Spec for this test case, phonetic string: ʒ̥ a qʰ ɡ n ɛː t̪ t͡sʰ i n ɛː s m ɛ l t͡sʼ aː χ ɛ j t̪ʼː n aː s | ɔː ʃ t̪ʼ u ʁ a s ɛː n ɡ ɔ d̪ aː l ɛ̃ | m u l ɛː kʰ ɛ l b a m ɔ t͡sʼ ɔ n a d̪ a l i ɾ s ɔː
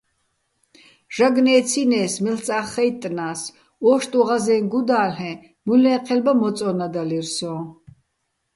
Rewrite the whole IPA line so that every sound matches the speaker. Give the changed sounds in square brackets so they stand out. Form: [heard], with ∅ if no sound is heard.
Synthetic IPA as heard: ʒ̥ a [∅] ɡ n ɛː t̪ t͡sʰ i n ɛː s m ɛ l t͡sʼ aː χ ɛ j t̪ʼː n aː s | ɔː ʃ t̪ʼ u ʁ a [z] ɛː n ɡ [u] d̪ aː l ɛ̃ | m u l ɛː [qʰ] ɛ l b a m ɔ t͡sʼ ɔ n a d̪ a l i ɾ s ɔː